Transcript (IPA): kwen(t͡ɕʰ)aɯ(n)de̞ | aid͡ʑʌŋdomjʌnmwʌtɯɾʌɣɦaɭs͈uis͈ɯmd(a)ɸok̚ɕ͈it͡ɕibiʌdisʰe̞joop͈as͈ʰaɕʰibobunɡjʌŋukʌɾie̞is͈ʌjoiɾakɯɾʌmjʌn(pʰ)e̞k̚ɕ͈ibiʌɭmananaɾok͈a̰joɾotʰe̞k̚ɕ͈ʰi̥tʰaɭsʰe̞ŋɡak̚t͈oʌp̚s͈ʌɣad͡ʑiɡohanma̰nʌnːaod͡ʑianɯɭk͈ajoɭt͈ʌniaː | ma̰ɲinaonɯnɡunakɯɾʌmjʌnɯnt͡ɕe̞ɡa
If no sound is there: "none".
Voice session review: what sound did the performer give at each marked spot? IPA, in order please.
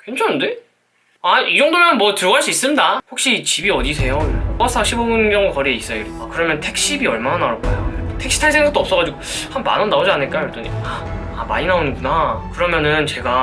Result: t͡ɕʰ, n, a, tʰ

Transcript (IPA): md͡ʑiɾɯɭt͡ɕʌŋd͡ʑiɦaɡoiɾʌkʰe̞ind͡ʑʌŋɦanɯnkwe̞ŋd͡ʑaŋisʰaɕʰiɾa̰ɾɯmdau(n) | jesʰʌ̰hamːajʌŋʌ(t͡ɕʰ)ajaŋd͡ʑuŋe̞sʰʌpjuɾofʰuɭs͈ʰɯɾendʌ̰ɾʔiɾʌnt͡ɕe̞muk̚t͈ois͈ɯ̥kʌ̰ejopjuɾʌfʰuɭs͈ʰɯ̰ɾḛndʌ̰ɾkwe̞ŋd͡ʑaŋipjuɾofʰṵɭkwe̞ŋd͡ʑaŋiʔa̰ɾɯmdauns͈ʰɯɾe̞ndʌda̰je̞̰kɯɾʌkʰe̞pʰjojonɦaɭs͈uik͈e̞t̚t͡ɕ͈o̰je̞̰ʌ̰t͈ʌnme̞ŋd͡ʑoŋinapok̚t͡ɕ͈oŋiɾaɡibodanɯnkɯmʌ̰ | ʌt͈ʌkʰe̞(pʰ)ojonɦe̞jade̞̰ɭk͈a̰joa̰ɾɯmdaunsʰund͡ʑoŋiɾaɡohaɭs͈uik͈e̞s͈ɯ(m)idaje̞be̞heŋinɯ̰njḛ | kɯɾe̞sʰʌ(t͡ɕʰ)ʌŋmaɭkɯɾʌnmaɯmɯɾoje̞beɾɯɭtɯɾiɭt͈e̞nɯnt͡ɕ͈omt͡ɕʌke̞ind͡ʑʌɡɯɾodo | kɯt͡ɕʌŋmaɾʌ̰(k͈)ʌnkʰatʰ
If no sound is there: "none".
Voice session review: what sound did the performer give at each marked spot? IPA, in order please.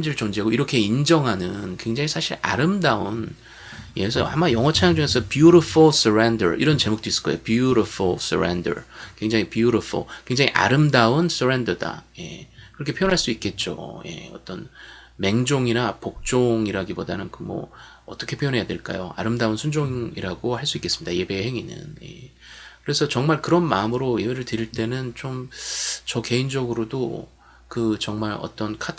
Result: n, t͡ɕʰ, pʰ, m, t͡ɕ, t͈

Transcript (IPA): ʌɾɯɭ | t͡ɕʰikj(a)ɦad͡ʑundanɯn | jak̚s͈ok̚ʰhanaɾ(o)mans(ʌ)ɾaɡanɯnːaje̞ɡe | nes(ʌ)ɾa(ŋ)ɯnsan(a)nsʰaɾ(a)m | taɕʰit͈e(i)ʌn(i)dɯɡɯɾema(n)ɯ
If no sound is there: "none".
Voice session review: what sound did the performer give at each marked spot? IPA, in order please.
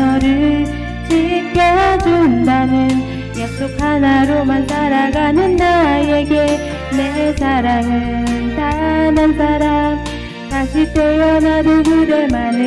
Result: ʌ, o, a, a, ŋ, a, a, j, a, n

